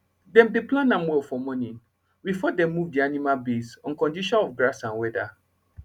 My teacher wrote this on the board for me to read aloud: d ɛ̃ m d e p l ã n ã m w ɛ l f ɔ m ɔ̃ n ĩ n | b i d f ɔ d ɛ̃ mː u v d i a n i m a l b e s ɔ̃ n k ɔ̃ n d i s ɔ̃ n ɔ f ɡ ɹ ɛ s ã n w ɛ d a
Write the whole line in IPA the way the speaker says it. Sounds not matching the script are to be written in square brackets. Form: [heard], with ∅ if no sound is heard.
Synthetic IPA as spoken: d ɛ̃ m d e p l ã n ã m w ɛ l f ɔ m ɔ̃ n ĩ n | b i [∅] f ɔ d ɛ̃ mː u v d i a n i m a l b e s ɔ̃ n k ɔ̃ n d i [ʃ] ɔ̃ n ɔ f ɡ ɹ [a] s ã n w ɛ d a

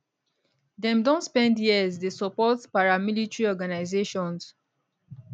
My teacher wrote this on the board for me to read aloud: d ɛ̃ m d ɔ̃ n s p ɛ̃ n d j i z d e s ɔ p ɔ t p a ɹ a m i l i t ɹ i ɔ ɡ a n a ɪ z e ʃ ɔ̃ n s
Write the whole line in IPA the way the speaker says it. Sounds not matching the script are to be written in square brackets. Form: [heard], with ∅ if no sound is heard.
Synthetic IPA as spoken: d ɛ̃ m d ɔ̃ n s p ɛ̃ n d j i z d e s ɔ p ɔ t p a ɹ a m i l i t ɹ i ɔ ɡ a n a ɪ z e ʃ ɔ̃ n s

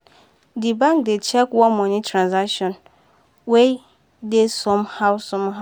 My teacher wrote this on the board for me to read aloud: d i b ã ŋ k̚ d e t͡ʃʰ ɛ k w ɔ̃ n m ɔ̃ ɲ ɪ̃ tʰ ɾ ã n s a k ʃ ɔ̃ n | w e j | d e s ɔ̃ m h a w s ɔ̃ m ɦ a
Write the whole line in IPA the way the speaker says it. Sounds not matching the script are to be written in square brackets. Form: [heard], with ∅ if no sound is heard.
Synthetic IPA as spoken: d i b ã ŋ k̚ d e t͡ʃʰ ɛ k w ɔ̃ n m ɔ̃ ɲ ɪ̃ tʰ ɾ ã n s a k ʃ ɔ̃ n | w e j | d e s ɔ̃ m h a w s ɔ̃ m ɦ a

